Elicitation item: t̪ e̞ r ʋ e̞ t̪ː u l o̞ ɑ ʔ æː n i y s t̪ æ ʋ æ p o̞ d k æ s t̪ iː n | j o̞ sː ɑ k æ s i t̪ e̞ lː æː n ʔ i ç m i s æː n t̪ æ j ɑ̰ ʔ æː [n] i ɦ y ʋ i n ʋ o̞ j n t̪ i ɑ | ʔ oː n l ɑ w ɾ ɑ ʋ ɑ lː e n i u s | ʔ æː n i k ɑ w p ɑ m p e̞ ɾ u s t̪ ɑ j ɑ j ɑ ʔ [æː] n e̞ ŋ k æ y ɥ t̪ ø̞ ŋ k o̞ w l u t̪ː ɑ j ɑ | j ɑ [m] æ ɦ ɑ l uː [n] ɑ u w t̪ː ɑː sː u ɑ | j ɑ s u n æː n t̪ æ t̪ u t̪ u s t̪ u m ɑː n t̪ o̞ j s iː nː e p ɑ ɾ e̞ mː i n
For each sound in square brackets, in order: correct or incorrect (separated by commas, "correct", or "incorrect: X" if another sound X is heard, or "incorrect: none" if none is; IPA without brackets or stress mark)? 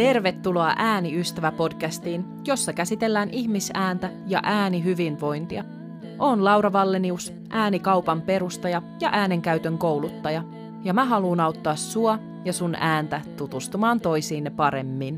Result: correct, correct, correct, correct